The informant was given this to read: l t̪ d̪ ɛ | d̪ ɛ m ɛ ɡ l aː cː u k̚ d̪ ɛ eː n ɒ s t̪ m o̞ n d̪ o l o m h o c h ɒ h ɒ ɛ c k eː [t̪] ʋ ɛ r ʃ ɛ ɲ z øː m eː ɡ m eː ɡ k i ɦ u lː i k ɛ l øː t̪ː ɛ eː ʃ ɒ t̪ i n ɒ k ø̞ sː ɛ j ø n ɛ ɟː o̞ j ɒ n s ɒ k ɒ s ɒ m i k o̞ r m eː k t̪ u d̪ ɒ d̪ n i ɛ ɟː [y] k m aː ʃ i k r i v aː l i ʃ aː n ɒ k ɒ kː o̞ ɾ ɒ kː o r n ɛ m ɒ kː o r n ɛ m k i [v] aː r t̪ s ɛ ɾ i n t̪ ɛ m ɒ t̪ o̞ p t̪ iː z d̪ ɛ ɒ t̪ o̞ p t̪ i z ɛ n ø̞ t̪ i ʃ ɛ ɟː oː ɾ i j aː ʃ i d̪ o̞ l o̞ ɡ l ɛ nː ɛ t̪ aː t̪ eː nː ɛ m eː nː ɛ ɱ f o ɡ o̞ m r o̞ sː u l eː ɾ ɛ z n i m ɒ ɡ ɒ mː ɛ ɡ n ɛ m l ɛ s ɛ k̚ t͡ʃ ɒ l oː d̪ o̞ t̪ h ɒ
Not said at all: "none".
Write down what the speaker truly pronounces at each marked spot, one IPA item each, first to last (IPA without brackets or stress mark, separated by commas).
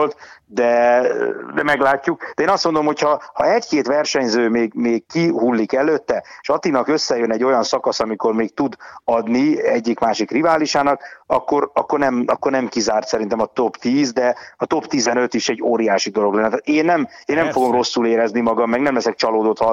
t̪, i, z